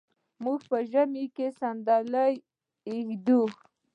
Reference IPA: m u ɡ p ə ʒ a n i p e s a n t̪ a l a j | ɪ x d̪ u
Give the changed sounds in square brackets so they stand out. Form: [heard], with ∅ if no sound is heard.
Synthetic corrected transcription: m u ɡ p ə ʒ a [m] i [k] e s a n [d̪] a l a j | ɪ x d̪ u